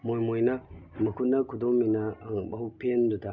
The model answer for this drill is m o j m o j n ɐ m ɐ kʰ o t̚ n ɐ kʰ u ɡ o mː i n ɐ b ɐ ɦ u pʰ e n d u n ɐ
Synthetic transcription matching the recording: m o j m o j n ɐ m ɐ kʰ u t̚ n ɐ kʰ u d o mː i n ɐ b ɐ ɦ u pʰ e n d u d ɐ